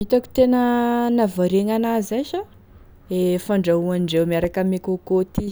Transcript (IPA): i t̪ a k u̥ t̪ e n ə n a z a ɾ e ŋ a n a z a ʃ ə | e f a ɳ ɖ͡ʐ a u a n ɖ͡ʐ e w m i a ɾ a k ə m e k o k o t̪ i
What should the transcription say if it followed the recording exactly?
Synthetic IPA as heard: i t̪ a k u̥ t̪ e n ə n a v a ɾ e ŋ a n a z a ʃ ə | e f a ɳ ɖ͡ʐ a u a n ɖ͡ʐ e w m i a ɾ a k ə m e k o k o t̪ i